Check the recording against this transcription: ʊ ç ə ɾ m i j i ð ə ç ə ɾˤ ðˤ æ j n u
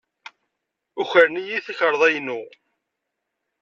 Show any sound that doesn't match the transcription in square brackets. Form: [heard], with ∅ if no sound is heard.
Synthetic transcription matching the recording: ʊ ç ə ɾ [n] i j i [θ] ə ç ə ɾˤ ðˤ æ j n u